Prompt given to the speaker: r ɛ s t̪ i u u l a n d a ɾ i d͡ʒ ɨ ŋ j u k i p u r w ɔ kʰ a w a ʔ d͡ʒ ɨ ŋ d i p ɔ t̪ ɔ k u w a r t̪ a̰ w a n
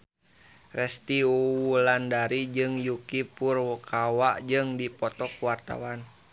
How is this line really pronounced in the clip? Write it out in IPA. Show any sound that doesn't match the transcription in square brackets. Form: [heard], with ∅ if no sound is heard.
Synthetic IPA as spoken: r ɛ s t̪ i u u l a n d a ɾ i d͡ʒ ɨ ŋ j u k i p u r w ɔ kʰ a w a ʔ d͡ʒ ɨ ŋ d i p ɔ t̪ ɔ k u w a r t̪ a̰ w a n

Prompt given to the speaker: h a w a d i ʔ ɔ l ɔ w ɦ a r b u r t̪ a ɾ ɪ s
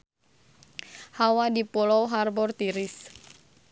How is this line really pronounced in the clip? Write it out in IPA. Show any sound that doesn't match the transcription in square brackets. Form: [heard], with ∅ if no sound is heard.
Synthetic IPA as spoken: h a w a d i [p] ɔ l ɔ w ɦ a r b [ɔ] r t̪ [i] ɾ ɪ s

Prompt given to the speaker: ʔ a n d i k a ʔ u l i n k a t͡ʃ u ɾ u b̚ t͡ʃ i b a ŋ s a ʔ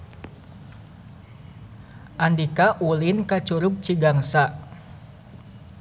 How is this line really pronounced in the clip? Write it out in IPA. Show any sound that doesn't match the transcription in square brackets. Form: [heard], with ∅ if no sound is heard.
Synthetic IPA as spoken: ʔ a n d i k a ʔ u l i n k a t͡ʃ u ɾ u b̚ t͡ʃ i [ɡ] a ŋ s a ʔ

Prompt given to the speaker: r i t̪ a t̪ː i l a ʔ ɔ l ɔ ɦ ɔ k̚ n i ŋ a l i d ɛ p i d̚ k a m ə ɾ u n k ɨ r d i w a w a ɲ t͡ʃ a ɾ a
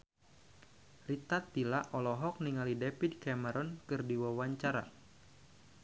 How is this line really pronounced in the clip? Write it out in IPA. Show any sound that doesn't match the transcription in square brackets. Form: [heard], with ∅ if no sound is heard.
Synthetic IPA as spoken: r i t̪ a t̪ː i l a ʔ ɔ l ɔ ɦ ɔ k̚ n i ŋ a l i d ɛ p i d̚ k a m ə ɾ [ɔ] n k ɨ r d i w a w a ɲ t͡ʃ a ɾ a

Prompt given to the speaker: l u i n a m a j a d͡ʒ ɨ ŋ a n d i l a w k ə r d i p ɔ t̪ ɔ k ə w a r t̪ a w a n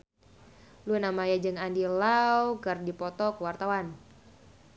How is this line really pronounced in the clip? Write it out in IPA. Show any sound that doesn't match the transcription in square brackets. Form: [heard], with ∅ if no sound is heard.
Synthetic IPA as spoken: l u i n a m a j a d͡ʒ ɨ ŋ a n d i l a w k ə r d i p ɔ t̪ ɔ k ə w a r t̪ a w a n

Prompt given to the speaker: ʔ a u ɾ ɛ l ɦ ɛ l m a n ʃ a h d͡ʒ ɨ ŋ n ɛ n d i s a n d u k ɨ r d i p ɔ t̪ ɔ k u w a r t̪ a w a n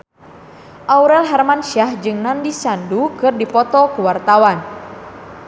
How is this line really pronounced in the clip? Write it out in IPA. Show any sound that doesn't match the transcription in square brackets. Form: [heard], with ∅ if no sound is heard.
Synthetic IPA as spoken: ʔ a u ɾ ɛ l ɦ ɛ [r] m a n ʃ a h d͡ʒ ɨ ŋ n [a] n d i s a n d u k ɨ r d i p ɔ t̪ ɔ k u w a r t̪ a w a n

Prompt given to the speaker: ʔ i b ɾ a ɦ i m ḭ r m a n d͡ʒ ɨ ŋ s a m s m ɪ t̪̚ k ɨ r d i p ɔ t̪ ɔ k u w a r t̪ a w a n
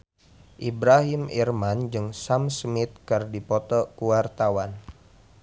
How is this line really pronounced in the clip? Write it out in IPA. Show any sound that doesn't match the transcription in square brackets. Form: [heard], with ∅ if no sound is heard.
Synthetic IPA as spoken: ʔ i b ɾ a ɦ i m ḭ r m a n d͡ʒ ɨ ŋ s a m s m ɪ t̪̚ k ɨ r d i p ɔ t̪ ɔ k u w a r t̪ a w a n

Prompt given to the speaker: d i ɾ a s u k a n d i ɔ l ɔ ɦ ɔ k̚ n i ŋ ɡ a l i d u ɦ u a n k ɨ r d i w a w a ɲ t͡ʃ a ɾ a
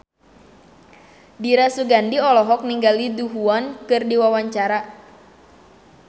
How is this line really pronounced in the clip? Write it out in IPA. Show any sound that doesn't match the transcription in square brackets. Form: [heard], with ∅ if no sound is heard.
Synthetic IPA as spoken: d i ɾ a s u [ɡ] a n d i ɔ l ɔ ɦ ɔ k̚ n i ŋ ɡ a l i d u ɦ u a n k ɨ r d i w a w a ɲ t͡ʃ a ɾ a

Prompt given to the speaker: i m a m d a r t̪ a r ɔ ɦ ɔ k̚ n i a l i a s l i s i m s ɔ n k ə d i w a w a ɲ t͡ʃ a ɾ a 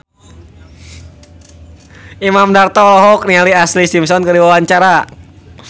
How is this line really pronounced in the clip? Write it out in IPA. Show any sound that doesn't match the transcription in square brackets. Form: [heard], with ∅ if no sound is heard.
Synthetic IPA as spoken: i m a m d a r t̪ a [l] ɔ ɦ ɔ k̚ n i a l i a s l i s i m s ɔ n k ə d i w a w a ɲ t͡ʃ a ɾ a

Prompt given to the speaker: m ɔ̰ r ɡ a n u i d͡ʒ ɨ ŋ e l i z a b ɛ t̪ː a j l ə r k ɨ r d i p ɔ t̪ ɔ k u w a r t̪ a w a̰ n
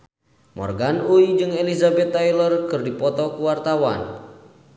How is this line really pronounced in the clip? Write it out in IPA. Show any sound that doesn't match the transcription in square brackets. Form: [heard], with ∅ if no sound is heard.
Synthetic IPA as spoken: m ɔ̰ r ɡ a n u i d͡ʒ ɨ ŋ e l i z a b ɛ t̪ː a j l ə r k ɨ r d i p ɔ t̪ ɔ k u w a r t̪ a w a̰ n

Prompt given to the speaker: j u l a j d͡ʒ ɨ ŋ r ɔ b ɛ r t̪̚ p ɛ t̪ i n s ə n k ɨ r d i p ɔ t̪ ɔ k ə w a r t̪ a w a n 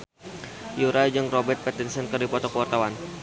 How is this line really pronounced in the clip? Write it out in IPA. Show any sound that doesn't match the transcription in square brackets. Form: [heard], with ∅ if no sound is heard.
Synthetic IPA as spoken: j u [ɾ] a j d͡ʒ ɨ ŋ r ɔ b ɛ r t̪̚ p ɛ t̪ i n s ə n k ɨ r d i p ɔ t̪ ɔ k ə w a r t̪ a w a n

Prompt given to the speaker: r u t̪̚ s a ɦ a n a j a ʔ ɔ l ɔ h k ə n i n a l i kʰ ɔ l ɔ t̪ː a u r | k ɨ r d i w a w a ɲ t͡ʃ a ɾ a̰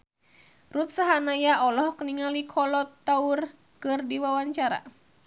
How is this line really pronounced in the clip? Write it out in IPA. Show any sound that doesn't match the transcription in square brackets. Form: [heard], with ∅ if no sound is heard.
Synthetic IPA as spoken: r u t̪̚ s a ɦ a n a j a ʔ ɔ l ɔ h k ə n i [ŋ] a l i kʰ ɔ l ɔ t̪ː a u r | k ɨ r d i w a w a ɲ t͡ʃ a ɾ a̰

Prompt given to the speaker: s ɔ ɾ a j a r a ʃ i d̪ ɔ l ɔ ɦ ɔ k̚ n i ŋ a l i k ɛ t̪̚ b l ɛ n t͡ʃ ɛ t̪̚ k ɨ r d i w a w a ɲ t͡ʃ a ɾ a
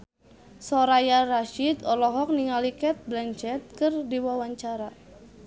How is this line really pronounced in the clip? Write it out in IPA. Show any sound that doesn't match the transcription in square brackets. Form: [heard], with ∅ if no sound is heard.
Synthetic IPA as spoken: s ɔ ɾ a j a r a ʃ i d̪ ɔ l ɔ ɦ ɔ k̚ n i ŋ a l i k ɛ t̪̚ b l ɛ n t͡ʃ ɛ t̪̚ k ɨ r d i w a w a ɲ t͡ʃ a ɾ a

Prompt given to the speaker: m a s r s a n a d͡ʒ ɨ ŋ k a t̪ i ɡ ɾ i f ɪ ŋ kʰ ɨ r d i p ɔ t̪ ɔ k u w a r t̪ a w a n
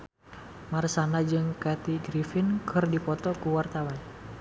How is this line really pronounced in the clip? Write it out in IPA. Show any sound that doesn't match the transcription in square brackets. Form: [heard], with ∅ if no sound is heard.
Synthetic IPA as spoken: m a [∅] r s a n a d͡ʒ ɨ ŋ k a t̪ i ɡ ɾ i f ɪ [n] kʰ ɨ r d i p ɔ t̪ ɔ k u w a r t̪ a w a n

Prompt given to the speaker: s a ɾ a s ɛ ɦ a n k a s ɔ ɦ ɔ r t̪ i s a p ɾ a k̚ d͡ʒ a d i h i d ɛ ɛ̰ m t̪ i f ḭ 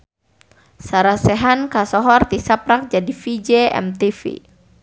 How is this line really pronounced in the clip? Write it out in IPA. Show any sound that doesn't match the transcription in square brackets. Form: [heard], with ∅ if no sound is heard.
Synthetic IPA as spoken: s a ɾ a s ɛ ɦ a n k a s ɔ ɦ ɔ r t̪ i s a p ɾ a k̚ d͡ʒ a d i [f] i [d͡ʒ] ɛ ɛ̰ m t̪ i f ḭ

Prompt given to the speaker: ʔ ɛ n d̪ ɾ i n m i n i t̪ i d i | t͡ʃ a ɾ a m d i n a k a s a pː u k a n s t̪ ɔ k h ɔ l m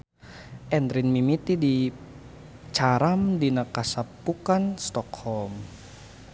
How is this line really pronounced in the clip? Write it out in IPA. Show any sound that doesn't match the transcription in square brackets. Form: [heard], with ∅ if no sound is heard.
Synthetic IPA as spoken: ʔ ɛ n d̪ ɾ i n m i [m] i t̪ i d i | t͡ʃ a ɾ a m d i n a k a s a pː u k a n s t̪ ɔ k h ɔ l m

